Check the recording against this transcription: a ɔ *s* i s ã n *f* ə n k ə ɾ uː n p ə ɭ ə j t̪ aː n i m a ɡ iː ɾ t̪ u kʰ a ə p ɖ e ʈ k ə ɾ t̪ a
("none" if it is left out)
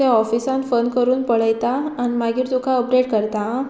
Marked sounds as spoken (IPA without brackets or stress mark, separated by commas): f, f